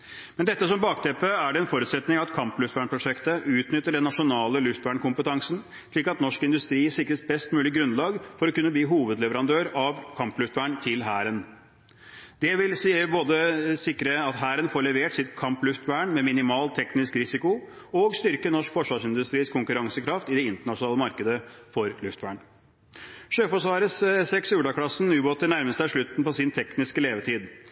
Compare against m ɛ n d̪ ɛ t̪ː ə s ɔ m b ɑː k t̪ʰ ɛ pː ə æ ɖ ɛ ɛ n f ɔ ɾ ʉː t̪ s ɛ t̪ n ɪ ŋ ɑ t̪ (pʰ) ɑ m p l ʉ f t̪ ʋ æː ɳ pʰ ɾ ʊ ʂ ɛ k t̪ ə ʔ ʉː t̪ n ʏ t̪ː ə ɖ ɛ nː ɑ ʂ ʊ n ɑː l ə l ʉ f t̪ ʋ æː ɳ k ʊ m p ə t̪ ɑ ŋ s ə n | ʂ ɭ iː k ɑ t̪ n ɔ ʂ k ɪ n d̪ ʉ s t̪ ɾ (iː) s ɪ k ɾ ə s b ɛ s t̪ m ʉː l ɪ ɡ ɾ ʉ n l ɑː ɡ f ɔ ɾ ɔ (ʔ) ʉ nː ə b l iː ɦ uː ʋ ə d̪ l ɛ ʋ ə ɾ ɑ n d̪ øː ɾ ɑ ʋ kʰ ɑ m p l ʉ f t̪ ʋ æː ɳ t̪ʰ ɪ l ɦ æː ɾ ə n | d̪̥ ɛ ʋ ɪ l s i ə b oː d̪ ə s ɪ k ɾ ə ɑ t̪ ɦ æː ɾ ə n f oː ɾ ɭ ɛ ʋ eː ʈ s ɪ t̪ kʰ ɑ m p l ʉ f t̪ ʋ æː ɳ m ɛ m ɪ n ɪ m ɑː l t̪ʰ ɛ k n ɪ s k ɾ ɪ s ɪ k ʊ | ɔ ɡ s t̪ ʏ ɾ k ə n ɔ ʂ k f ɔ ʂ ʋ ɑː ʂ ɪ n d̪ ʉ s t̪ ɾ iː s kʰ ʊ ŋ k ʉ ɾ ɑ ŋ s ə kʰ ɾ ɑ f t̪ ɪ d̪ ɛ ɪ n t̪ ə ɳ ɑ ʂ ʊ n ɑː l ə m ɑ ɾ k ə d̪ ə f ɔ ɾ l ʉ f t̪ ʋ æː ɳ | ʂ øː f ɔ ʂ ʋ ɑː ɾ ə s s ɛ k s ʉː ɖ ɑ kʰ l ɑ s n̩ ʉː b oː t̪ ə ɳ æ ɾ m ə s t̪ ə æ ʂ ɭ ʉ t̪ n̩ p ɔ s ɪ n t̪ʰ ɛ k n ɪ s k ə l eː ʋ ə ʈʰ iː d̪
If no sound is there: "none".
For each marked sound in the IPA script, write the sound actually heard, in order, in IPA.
kʰ, iː, k

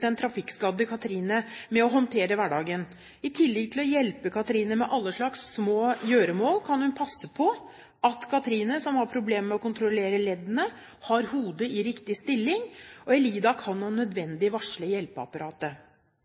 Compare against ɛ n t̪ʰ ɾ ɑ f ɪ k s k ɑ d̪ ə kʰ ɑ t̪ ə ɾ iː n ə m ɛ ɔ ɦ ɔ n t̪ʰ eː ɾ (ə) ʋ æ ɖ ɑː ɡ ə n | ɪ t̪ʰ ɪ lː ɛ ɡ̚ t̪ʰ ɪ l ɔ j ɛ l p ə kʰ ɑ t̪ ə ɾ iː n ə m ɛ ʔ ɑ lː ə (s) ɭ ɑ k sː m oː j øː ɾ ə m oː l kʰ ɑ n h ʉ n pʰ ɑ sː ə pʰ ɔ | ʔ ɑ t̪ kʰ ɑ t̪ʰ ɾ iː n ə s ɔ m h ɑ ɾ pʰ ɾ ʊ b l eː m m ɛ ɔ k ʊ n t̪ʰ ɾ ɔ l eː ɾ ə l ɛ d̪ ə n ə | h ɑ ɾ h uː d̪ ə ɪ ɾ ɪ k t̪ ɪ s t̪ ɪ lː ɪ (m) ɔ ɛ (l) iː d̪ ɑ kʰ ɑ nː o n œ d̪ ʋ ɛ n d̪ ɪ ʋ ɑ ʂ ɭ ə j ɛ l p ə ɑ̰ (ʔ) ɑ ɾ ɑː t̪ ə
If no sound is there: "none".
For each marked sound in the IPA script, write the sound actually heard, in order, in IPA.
ə, ʂ, ŋ, l, p

